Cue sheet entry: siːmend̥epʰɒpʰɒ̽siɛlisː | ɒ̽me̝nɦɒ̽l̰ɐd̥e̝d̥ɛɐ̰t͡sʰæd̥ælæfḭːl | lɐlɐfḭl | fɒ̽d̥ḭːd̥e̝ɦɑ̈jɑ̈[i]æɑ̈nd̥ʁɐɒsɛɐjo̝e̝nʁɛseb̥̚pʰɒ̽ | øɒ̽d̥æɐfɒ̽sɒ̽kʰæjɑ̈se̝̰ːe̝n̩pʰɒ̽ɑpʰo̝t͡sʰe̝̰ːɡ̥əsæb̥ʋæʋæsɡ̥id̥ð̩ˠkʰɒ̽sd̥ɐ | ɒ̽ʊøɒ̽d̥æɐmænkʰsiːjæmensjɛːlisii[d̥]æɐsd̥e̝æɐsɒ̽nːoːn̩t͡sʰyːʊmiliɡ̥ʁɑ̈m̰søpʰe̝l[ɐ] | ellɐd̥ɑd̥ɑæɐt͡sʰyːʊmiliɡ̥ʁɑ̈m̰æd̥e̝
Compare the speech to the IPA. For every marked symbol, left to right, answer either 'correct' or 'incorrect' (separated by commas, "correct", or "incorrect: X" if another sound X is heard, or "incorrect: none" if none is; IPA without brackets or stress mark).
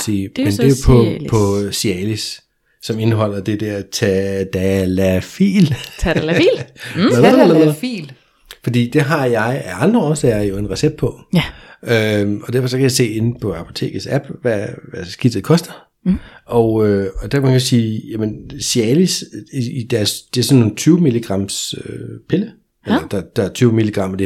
incorrect: ɪ, correct, incorrect: ə